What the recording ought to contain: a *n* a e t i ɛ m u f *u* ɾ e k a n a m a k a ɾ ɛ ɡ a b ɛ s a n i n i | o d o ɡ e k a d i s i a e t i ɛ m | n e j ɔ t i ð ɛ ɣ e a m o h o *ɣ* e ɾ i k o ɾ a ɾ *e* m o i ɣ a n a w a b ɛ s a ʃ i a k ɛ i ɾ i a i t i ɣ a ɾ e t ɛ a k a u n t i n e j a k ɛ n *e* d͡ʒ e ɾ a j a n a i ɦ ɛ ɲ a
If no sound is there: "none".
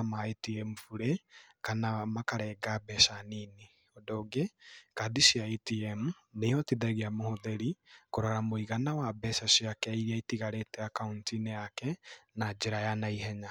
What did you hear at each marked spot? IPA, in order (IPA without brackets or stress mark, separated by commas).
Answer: m, u, ð, a, a